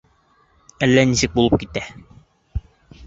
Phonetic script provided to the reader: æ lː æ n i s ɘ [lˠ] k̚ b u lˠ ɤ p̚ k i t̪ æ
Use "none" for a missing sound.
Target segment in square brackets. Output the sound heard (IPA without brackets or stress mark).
none